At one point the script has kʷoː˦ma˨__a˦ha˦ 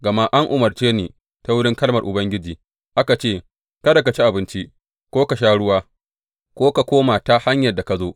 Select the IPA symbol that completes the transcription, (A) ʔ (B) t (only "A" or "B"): B